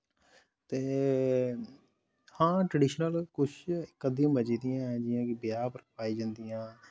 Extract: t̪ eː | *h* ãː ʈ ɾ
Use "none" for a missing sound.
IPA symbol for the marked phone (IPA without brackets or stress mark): h